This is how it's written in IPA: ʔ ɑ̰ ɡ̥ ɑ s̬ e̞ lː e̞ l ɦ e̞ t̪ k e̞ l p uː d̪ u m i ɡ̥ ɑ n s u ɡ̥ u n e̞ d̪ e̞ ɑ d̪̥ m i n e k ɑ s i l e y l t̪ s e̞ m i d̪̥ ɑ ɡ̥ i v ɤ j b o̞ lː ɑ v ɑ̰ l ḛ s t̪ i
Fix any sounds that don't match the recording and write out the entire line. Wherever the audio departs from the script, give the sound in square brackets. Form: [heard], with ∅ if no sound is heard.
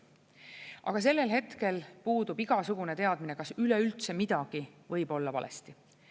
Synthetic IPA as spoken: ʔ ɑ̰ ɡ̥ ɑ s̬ e̞ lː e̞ l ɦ e̞ t̪ k e̞ l p uː d̪ u [b] i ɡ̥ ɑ [∅] s u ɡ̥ u n e̞ [t̪] e̞ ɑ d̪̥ m i n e k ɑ s [y] l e y l t̪ s e̞ m i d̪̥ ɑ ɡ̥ i v ɤ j b o̞ lː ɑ v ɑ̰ l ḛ s t̪ i